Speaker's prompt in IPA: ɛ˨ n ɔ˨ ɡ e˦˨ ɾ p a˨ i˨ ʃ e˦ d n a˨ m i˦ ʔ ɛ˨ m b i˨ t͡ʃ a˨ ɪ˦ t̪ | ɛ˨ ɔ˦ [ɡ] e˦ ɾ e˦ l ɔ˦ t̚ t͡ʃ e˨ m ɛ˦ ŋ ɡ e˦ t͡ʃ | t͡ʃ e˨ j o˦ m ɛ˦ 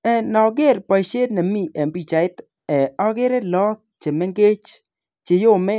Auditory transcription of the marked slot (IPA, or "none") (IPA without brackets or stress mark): ɡ